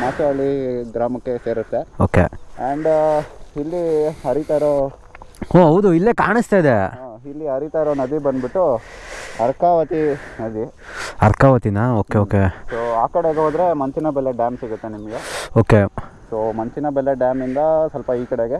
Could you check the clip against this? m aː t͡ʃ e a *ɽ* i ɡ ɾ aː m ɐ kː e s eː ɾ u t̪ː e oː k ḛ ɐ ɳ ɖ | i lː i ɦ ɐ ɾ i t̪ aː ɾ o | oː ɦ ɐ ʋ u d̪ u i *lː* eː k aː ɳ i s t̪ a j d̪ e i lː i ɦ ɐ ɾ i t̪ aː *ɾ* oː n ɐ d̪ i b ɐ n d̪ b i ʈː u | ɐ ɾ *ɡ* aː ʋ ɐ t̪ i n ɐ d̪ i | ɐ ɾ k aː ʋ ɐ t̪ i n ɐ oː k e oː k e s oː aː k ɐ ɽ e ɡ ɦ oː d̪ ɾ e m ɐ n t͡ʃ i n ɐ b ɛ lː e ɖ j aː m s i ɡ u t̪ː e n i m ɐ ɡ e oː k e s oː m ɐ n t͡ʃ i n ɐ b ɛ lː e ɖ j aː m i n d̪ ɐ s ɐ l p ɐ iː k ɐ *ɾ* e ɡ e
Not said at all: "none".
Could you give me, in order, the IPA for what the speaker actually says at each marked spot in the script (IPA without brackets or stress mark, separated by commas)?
ɭ, lː, ɾ, k, ɽ